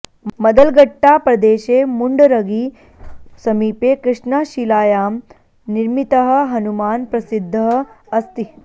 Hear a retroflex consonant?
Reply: yes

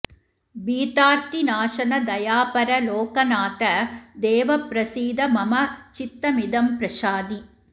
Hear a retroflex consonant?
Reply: no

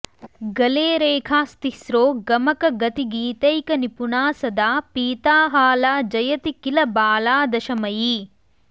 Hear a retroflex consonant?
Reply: no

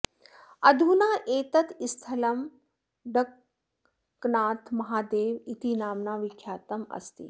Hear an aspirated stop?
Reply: yes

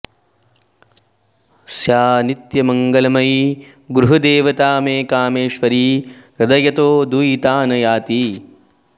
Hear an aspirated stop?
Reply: no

